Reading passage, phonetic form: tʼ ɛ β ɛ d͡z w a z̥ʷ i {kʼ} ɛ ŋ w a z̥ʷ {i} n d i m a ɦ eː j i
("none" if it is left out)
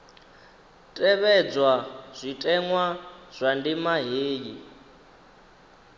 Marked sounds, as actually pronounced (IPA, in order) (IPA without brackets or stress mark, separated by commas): tʼ, a